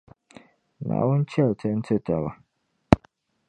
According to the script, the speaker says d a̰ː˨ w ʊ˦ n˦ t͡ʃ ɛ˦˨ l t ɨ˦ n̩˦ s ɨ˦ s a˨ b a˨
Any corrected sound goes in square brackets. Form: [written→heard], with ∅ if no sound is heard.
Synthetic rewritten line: [d→n] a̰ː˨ w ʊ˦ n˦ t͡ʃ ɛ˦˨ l t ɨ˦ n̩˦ [s→t] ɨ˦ [s→t] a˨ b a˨